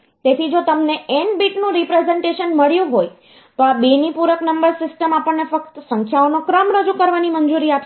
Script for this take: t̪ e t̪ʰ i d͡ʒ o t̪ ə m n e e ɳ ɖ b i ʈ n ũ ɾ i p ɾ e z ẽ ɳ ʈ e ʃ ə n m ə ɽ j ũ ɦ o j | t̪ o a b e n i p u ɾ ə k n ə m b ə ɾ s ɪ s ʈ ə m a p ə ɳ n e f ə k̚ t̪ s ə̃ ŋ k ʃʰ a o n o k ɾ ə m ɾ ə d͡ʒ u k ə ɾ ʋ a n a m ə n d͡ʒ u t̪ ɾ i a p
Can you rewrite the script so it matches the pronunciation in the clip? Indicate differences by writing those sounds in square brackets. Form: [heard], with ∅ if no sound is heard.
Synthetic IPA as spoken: t̪ e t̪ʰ i d͡ʒ o t̪ ə m n e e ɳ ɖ b i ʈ n ũ ɾ i p ɾ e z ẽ ɳ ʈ e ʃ ə n m ə [ɭ] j ũ ɦ o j | t̪ o a b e n i p u ɾ ə k n ə m b ə ɾ s ɪ s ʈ ə m a p ə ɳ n e f ə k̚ t̪ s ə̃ ŋ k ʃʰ a o n o k ɾ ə m ɾ ə d͡ʒ u k ə ɾ ʋ a n [i] m ə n d͡ʒ u [∅] ɾ i a p